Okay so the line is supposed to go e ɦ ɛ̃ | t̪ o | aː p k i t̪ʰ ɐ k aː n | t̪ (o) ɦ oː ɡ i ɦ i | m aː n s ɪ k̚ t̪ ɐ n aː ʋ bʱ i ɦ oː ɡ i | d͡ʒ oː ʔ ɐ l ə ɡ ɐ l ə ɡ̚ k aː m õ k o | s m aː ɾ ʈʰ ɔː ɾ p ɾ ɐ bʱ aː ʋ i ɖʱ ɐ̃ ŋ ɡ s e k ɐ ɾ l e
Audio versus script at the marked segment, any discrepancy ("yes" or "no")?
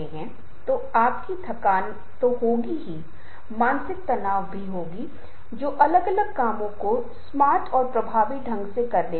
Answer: no